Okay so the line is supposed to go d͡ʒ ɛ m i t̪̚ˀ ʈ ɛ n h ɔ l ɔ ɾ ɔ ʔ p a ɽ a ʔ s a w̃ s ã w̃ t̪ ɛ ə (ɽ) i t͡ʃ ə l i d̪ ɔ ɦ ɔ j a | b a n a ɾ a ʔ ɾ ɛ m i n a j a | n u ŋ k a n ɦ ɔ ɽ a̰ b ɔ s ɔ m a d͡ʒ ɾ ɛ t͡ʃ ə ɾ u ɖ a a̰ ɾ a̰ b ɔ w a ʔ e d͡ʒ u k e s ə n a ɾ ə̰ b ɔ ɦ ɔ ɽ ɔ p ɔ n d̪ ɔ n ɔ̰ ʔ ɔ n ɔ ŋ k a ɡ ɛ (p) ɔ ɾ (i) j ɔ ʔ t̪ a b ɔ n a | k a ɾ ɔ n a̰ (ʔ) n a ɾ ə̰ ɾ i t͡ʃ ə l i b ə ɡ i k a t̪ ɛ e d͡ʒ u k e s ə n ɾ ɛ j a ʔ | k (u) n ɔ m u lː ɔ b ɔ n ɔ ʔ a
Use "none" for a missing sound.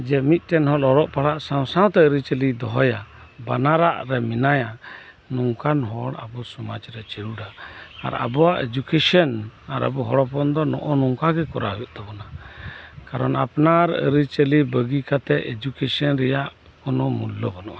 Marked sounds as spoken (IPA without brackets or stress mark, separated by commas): ɾ, k, a, p, ɔ